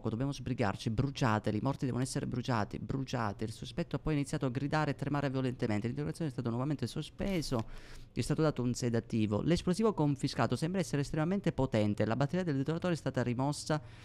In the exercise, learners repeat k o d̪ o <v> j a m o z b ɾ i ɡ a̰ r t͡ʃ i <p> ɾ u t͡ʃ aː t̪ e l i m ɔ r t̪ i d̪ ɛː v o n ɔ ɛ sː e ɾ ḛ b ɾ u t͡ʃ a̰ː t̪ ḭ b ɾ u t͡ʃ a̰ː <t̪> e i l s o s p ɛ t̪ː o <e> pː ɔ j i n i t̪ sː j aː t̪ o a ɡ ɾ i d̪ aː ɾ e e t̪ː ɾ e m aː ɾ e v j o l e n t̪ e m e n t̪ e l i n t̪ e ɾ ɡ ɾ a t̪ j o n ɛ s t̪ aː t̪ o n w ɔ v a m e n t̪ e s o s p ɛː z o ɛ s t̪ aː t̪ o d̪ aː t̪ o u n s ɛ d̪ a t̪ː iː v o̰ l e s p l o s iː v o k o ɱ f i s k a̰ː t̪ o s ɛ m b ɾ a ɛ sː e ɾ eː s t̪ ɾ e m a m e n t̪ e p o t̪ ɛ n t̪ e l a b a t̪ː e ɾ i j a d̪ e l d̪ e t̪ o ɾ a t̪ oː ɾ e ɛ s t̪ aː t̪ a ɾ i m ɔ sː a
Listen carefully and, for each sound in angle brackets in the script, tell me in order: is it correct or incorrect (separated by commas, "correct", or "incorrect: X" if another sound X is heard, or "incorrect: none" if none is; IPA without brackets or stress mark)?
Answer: incorrect: b, incorrect: b, correct, incorrect: a